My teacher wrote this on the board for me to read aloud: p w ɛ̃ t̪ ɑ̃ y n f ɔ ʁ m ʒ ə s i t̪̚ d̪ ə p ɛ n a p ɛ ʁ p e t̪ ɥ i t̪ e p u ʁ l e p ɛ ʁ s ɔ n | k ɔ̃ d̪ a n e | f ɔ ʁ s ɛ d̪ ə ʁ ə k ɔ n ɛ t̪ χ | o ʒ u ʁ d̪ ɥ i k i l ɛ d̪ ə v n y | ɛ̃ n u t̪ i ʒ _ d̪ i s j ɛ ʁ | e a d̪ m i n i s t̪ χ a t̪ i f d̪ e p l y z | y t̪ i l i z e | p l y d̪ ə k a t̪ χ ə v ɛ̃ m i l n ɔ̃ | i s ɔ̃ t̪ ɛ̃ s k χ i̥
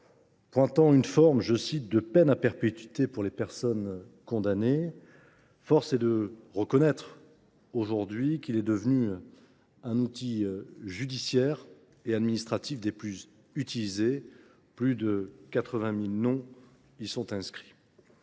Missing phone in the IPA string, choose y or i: y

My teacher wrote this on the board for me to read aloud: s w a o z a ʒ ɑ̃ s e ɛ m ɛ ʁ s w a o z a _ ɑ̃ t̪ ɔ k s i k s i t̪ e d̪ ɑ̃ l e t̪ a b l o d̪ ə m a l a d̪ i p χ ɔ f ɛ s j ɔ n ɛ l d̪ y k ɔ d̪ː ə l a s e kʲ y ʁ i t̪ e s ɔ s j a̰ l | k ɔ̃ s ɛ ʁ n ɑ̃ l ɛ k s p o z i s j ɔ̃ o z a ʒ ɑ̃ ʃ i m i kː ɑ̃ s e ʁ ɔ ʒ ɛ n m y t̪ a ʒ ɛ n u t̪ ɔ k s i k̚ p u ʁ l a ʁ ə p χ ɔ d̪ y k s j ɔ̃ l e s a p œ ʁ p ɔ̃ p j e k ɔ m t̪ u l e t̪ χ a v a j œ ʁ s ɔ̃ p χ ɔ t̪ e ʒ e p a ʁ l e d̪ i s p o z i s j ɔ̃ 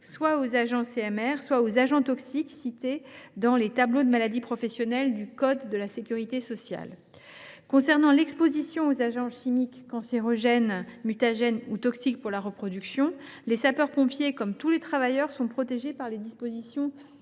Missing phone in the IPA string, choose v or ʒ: ʒ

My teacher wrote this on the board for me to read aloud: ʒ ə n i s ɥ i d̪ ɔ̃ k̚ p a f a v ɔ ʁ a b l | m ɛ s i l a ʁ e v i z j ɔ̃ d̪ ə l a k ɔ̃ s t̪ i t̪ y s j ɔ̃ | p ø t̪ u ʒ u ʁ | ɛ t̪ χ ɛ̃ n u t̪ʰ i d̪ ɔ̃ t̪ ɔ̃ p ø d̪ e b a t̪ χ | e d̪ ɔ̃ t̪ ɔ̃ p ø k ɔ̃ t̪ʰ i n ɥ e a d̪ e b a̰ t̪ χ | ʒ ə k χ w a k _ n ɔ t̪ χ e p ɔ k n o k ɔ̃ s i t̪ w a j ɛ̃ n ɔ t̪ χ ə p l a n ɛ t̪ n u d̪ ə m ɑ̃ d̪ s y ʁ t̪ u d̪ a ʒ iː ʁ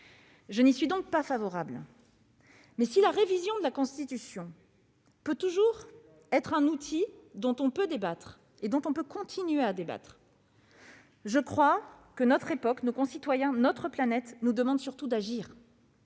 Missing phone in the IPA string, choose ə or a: ə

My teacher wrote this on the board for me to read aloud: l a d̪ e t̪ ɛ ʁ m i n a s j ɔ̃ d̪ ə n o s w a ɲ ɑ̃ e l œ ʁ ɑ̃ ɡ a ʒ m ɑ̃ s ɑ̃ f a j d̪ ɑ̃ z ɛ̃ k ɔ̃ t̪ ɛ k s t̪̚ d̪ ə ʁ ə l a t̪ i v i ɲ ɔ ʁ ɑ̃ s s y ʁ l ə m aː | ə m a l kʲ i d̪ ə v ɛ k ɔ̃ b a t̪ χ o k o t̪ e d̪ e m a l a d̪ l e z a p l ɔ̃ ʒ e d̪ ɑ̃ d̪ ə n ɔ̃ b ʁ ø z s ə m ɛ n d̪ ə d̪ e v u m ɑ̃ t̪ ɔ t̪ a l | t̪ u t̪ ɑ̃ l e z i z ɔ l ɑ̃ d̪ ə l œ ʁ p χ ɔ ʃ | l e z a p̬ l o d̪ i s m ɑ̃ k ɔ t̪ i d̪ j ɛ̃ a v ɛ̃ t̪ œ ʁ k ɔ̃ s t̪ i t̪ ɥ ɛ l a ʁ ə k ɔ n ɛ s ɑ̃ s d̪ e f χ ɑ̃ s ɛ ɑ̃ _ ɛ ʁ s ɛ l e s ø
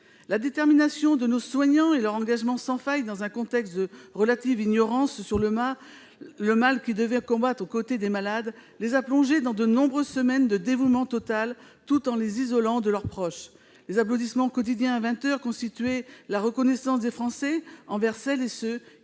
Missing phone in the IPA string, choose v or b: v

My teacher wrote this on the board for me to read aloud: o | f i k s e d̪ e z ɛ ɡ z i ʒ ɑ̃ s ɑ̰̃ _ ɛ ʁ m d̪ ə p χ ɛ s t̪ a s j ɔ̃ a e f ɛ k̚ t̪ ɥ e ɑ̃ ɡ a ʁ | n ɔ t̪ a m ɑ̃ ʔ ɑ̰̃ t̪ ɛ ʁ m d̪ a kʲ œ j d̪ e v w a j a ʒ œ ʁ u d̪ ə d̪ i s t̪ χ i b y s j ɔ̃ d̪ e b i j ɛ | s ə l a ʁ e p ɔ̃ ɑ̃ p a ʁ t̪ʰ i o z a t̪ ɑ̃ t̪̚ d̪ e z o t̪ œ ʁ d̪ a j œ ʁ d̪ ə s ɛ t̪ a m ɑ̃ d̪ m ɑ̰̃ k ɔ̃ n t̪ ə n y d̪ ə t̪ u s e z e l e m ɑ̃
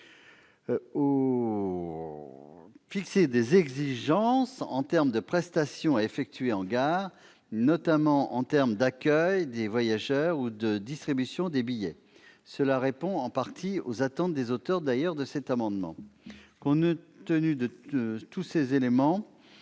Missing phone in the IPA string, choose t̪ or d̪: t̪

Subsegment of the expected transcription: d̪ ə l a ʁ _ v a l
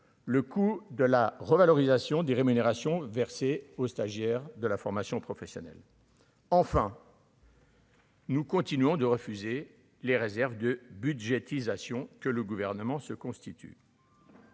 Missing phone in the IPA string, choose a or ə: ə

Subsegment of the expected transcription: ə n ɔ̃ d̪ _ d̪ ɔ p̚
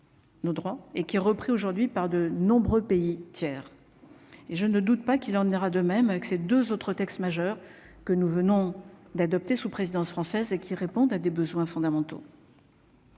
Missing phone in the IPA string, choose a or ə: a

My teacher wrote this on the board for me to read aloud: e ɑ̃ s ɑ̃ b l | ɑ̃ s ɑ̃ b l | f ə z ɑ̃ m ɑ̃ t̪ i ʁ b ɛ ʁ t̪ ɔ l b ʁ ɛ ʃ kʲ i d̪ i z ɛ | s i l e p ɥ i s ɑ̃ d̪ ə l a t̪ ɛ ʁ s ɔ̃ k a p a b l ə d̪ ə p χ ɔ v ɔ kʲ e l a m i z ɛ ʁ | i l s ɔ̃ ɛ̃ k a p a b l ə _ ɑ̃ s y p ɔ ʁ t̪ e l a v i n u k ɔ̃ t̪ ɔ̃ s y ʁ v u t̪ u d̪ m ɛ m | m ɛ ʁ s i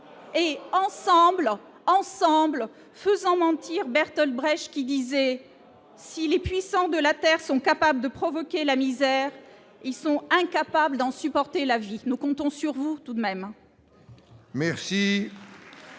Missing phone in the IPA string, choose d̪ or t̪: d̪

